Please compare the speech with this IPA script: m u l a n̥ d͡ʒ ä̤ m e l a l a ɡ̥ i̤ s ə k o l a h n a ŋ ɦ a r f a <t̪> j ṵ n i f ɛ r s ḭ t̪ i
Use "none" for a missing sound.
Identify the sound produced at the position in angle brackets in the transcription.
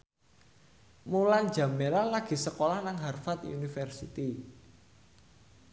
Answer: t̪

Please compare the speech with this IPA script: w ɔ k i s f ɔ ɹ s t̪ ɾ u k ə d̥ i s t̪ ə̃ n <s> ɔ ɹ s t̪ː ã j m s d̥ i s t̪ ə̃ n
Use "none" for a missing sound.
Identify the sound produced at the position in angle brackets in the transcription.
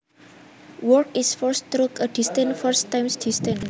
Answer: f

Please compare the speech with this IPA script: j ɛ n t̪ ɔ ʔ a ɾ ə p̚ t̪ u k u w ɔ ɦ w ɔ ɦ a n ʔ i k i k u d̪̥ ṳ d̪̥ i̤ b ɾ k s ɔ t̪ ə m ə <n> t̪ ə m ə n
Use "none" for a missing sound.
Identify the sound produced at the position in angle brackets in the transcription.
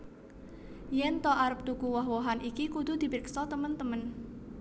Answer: n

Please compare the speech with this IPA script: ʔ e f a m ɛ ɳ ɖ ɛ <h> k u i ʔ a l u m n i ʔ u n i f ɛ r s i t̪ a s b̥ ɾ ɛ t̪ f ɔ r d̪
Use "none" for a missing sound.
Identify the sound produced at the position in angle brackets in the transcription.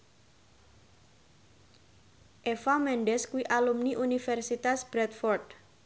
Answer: s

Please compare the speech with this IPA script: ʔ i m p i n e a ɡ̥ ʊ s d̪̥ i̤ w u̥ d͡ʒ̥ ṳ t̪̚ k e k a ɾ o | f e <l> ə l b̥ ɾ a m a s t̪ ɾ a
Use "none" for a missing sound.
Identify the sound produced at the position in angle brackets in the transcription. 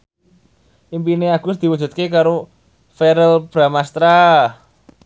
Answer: ɾ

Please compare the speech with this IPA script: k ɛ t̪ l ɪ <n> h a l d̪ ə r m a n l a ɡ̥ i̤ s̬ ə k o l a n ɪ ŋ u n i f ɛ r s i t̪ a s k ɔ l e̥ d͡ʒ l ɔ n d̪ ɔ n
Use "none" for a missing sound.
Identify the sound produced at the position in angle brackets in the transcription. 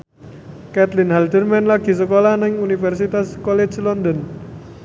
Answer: n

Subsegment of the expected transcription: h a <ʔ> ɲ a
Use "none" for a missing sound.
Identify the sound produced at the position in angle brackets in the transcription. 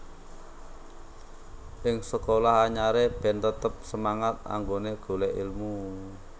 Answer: none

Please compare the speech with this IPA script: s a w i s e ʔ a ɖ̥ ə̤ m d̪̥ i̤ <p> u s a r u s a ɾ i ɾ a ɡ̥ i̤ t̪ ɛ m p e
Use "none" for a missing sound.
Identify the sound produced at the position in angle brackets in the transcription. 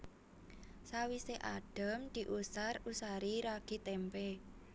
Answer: ʔ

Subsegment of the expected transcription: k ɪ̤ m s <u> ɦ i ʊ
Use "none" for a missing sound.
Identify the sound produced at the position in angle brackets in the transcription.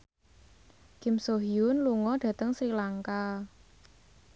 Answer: o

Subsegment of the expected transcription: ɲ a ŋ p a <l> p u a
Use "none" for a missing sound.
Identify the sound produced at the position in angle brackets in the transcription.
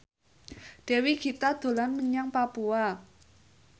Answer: none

